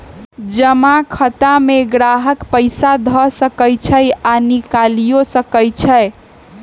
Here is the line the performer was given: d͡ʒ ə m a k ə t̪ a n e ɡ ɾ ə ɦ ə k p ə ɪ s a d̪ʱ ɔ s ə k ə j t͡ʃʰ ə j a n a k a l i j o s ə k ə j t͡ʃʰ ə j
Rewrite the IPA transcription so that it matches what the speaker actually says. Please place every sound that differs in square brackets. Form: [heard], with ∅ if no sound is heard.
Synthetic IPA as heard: d͡ʒ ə m a [kʰ] ə t̪ a [m] e ɡ ɾ [a] ɦ ə k p ə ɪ s a d̪ʱ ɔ s ə k ə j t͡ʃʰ ə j a n [i] k a l i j o s ə k ə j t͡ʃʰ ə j